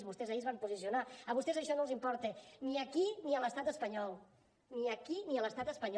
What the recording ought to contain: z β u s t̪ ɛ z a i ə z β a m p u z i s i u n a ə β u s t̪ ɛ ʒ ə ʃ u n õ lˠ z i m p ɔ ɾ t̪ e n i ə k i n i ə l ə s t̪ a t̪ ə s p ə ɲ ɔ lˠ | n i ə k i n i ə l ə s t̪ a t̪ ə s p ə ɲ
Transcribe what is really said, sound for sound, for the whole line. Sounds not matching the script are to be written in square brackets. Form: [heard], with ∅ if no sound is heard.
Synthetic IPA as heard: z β u s t̪ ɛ z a i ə z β a m p u z i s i u n a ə β u s t̪ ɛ [z] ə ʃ [ɔ] n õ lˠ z i m p ɔ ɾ t̪ e n i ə k i n i ə l ə s t̪ a t̪ ə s p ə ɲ ɔ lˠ | n i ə k i n i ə l ə s t̪ a t̪ ə s p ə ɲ